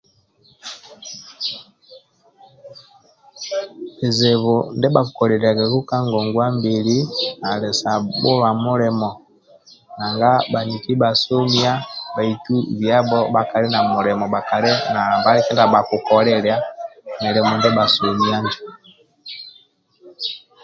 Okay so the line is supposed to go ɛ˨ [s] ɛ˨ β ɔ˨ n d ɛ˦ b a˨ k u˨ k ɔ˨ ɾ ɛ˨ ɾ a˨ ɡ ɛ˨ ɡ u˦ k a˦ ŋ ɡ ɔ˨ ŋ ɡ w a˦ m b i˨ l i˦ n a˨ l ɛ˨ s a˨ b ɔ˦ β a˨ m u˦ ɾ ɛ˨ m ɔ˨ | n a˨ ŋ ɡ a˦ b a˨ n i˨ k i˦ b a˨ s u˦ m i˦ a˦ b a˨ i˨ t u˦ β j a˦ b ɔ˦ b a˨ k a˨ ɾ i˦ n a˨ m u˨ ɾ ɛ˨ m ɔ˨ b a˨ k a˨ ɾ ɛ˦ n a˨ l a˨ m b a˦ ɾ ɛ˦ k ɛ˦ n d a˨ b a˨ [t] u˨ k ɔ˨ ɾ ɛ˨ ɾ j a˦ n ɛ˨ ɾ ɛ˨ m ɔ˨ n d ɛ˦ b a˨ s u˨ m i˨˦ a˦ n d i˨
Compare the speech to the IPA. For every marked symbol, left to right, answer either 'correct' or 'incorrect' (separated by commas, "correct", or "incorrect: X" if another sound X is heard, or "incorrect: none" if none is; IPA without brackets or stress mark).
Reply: incorrect: z, incorrect: k